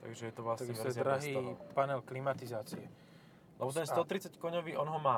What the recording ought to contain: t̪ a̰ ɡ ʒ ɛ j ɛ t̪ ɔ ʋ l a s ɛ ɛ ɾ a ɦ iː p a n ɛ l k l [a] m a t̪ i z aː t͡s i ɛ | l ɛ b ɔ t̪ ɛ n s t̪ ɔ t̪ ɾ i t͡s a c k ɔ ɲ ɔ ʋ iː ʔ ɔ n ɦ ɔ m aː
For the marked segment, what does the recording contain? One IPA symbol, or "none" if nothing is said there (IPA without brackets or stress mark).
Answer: i